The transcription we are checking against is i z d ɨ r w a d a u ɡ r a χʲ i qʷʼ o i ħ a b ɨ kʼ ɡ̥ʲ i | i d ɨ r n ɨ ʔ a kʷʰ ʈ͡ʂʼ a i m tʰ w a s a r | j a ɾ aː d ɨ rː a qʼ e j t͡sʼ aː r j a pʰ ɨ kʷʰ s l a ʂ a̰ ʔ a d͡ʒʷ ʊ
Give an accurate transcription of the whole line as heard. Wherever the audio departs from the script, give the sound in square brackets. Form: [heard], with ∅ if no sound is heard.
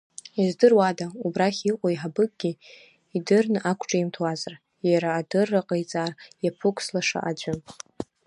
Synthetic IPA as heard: i z d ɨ r w a d a u [b] r a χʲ i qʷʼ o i ħ a b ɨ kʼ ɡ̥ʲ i | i d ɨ r n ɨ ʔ a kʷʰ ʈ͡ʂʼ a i m tʰ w a [z] a r | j a ɾ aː d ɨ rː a qʼ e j t͡sʼ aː r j a pʰ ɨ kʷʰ s l a ʂ a̰ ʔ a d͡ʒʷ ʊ

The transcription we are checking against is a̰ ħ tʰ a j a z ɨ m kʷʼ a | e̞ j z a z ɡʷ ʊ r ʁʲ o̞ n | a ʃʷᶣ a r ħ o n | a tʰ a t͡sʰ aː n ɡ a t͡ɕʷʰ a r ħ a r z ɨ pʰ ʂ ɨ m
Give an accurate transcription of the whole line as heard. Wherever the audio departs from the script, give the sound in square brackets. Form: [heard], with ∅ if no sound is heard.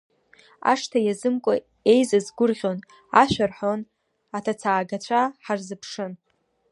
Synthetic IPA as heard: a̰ [ʂ] tʰ a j a z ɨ m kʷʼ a | e̞ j z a z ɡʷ ʊ r ʁʲ o̞ n | a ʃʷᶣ a r ħ o n | a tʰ a t͡sʰ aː [∅] ɡ a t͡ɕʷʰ a [∅] ħ a r z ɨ pʰ ʂ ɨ [n]

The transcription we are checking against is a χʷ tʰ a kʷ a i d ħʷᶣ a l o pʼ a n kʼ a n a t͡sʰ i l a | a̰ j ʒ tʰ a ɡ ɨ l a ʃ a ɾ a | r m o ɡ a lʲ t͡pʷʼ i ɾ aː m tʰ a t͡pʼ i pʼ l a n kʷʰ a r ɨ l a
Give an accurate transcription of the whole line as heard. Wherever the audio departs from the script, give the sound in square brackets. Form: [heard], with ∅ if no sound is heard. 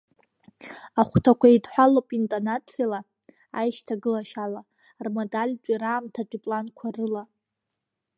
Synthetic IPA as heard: a χʷ tʰ a kʷ a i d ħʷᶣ a l o pʼ [i] n [tʼ] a n a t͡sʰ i l a | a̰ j [ʃ] tʰ a ɡ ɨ l a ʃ a [l] a | r m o [d] a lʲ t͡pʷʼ i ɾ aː m tʰ a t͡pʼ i pʼ l a n kʷʰ a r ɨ l a

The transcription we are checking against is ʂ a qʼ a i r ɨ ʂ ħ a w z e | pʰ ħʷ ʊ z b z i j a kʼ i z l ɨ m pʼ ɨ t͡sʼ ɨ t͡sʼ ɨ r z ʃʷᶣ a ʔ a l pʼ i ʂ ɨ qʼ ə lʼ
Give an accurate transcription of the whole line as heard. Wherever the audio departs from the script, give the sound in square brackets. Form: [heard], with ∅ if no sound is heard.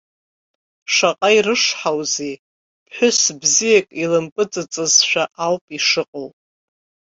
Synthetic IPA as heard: ʂ a qʼ a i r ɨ ʂ ħ a w z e | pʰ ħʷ ʊ [s] b z i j a kʼ i [∅] l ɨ m pʼ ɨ t͡sʼ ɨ t͡sʼ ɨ [∅] z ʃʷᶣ a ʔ a l pʼ i ʂ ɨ qʼ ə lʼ

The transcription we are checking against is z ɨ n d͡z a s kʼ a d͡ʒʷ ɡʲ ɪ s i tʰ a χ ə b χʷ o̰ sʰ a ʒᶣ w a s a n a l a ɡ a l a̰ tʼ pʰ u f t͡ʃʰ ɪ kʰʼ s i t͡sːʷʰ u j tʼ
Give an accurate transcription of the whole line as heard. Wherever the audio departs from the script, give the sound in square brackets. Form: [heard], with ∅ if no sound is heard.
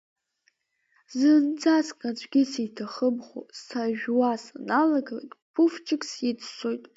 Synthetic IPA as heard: z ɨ n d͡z a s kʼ a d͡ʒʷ ɡʲ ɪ s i tʰ a χ ə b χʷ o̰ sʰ a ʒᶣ w a s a n a l a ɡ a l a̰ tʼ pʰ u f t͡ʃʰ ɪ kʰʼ s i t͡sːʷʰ [o] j tʼ

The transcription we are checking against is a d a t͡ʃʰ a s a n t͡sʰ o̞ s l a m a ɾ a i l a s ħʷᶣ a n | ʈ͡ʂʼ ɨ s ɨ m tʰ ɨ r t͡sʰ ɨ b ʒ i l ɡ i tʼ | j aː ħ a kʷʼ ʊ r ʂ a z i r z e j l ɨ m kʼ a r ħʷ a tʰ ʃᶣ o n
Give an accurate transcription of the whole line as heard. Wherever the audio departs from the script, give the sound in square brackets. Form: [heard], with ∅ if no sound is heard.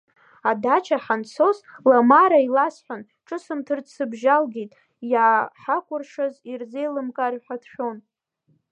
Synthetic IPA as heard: a d a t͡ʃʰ a [ħ] a n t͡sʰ o̞ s l a m a ɾ a i l a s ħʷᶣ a n | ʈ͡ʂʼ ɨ s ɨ m tʰ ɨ r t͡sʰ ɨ b ʒ [a] l ɡ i tʼ | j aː ħ a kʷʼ ʊ r ʂ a z i r z e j l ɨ m kʼ a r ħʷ a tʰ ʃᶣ o n

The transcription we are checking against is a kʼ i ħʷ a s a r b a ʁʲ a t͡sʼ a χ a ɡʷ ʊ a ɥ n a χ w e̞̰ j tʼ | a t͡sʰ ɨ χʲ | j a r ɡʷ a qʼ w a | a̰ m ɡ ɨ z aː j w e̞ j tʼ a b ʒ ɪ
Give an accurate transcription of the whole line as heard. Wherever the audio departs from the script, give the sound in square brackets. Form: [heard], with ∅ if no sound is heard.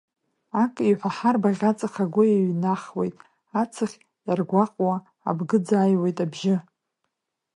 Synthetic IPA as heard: a kʼ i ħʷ a [ħ] a r b a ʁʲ a t͡sʼ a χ a ɡʷ ʊ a ɥ n a χ w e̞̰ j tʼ | a t͡sʰ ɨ χʲ | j a r ɡʷ a qʼ w a | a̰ [b] ɡ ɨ [d͡z] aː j w e̞ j tʼ a b ʒ ɪ

